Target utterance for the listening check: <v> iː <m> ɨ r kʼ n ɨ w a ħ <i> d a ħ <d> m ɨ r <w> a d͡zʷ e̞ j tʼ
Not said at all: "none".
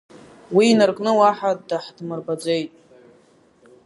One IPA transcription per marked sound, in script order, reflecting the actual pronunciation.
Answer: w, n, a, d, b

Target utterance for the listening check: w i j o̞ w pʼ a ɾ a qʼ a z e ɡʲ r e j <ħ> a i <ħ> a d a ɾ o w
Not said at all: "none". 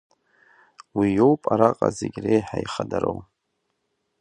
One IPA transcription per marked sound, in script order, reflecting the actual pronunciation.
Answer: ħ, χ

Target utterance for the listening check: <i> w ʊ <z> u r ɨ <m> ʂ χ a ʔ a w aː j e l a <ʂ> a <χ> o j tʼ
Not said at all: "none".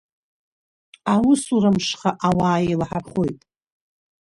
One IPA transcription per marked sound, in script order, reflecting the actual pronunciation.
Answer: a, s, m, ħ, χ

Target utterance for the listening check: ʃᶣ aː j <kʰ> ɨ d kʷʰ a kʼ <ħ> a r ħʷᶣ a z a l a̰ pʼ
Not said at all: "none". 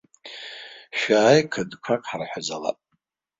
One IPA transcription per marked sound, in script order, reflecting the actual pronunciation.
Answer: kʰ, ħ

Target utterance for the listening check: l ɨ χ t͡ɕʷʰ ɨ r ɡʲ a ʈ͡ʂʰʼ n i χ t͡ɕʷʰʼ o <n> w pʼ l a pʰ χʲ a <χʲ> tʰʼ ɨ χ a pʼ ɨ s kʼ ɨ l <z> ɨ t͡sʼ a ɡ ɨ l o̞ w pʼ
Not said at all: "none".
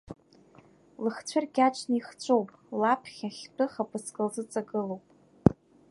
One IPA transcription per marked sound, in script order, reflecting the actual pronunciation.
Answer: none, χʲ, z

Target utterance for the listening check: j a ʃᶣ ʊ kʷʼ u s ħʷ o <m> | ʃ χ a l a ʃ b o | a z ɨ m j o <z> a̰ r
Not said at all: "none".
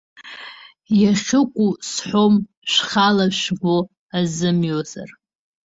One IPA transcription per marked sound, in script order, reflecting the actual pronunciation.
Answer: m, z

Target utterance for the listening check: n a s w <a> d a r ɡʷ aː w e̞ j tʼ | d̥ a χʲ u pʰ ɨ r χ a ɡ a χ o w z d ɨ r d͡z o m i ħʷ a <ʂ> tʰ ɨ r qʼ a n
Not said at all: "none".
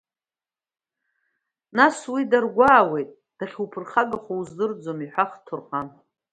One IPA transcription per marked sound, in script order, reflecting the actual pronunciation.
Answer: i, χ

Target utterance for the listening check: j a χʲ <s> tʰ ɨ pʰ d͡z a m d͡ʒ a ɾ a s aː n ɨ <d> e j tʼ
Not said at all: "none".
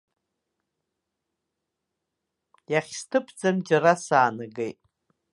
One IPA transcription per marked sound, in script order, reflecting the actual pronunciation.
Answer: s, ɡ

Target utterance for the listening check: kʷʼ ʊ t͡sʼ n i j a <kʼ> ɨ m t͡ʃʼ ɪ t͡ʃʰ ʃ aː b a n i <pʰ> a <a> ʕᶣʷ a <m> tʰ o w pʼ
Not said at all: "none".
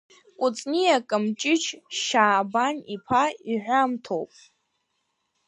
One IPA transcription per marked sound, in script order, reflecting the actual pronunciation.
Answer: kʼ, pʰ, i, m

